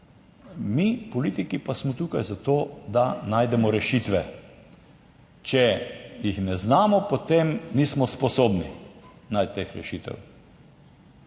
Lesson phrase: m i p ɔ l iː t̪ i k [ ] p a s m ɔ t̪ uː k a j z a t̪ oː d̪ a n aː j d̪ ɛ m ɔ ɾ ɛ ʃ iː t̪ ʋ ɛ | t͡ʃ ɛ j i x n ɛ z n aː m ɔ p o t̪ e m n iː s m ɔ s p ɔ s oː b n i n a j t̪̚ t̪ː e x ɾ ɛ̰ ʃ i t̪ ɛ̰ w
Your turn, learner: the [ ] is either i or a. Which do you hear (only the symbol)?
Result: i